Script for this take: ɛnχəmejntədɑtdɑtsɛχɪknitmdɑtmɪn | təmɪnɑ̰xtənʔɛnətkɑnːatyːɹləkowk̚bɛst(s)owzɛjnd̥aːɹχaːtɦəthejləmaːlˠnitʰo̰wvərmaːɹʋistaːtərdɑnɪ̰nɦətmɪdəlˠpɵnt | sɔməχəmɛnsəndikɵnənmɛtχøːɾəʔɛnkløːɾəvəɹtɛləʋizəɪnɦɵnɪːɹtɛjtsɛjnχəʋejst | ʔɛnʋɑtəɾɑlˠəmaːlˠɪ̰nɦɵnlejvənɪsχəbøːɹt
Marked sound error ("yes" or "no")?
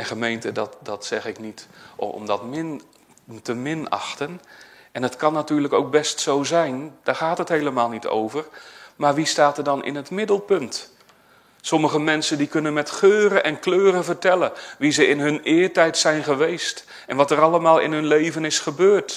no